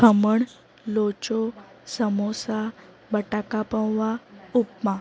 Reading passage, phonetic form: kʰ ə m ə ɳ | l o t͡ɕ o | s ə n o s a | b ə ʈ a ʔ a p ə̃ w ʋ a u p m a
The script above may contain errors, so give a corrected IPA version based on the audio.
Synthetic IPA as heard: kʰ ə m ə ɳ | l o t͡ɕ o | s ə m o s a | b ə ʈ a k a p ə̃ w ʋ a u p m a